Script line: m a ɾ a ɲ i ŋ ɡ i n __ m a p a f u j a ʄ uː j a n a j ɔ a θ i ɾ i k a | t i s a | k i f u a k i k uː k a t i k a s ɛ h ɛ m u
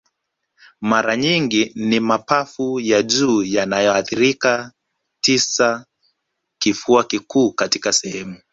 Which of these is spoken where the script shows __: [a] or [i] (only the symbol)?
i